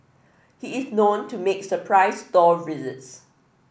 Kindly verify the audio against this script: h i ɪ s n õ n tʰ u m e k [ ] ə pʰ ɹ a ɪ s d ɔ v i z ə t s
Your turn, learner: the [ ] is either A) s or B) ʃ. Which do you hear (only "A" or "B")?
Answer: A